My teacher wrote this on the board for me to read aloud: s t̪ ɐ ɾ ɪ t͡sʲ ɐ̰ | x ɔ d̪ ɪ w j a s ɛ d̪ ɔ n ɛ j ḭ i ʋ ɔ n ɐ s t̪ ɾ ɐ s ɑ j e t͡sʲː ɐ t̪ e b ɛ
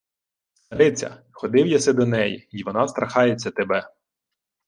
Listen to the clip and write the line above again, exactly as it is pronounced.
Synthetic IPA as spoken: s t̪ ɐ ɾ ɪ t͡sʲ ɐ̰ | x ɔ d̪ ɪ w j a s ɛ d̪ ɔ n ɛ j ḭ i ʋ ɔ n ɑ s t̪ ɾ ɐ x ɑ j e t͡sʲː ɐ t̪ e b ɛ